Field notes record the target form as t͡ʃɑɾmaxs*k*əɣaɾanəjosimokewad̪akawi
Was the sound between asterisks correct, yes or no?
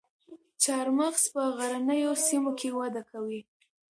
no